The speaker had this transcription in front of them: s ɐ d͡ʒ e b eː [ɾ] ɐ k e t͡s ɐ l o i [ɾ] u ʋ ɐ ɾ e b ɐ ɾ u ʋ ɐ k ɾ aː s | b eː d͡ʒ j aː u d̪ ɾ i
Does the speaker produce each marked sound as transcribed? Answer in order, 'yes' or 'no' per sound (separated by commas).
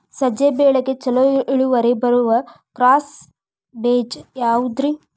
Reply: no, no